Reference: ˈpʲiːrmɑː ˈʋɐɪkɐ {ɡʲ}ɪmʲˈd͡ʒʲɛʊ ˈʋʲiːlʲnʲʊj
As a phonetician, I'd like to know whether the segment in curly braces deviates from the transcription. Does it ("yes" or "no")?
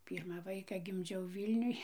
no